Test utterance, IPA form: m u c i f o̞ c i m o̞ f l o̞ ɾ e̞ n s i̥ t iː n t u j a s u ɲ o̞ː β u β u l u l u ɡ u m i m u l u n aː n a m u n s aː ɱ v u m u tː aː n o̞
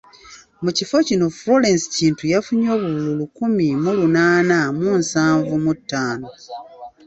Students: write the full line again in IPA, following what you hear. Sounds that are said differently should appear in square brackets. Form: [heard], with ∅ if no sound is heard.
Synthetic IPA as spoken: m u c i f o̞ c i [n] o̞ f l o̞ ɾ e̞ n s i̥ [c] iː n t u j a [f] u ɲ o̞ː β u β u l u l u [k] u m i m u l u n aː n a m u n s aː ɱ v u m u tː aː n o̞